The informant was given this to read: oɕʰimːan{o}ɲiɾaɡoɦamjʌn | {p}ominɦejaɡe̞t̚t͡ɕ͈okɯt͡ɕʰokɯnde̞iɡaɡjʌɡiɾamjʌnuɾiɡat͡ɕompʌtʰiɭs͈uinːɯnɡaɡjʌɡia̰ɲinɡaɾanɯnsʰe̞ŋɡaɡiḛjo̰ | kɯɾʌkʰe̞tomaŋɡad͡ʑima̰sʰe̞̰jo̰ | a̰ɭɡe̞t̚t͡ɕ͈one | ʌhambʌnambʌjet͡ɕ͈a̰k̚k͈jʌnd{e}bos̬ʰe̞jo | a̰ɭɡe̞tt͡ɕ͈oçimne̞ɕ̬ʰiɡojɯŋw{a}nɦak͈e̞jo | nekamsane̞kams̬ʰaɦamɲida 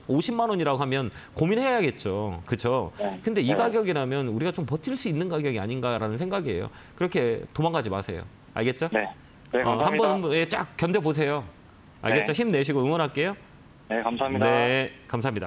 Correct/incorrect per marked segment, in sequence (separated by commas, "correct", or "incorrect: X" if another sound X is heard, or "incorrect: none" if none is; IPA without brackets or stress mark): correct, incorrect: k, correct, incorrect: ʌ